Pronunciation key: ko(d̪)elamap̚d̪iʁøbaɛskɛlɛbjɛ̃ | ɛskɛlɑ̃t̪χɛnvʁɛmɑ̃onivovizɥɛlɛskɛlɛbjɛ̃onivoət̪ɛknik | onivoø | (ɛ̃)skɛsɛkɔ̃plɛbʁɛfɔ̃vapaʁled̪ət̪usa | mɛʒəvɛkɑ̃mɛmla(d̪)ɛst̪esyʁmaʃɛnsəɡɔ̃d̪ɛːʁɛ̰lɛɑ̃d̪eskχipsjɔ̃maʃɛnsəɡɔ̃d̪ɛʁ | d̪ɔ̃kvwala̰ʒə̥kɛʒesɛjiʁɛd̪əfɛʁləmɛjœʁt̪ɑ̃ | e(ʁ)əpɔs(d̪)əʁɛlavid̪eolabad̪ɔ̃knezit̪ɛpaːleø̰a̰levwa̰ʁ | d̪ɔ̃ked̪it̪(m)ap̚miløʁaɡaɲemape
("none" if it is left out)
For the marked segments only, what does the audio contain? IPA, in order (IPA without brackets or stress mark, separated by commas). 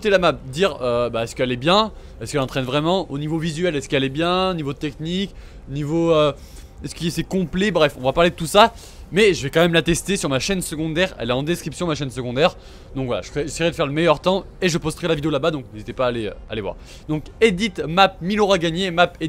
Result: t̪, ɛ, t̪, ʒ, t̪, m